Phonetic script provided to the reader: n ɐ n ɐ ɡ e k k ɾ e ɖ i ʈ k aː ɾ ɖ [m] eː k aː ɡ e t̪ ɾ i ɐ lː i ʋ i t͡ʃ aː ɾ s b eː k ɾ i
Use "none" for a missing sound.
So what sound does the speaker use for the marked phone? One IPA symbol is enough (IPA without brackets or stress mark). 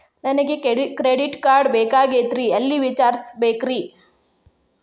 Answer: b